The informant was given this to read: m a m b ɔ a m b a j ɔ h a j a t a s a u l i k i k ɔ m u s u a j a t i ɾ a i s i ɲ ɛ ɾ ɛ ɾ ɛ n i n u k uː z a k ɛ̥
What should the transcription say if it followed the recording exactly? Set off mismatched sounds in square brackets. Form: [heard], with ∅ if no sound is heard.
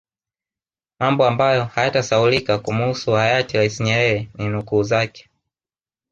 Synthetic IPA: m a m b ɔ a m b a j ɔ h a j a t a s a u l i k [a] k [u] m u s u a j a t i ɾ a i s i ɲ ɛ ɾ ɛ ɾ ɛ n i n u k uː z a k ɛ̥